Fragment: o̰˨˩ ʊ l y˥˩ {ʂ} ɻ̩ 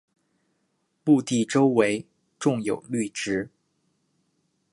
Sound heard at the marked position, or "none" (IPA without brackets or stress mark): ʈ͡ʂ